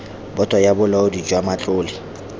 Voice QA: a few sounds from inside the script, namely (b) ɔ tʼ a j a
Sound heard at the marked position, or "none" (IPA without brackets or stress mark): b